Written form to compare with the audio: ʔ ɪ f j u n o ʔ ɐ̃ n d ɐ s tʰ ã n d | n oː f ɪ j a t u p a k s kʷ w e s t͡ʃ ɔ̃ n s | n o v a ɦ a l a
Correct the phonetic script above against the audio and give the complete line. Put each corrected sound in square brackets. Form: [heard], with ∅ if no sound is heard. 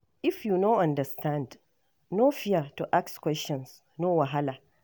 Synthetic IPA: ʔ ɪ f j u n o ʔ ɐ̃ n d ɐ s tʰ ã n d | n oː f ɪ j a t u [ʔ] a k s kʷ w [ɛ] s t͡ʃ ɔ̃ n s | n o [w] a ɦ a l a